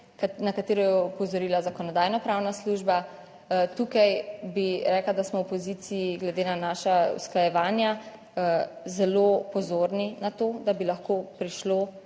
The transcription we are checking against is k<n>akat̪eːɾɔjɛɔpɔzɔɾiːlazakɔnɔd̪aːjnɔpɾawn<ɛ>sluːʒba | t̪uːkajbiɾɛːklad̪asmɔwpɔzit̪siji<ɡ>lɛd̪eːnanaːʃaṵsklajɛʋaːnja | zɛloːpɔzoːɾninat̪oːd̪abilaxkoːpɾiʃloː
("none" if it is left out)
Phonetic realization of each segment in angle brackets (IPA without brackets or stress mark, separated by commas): n, a, ɡ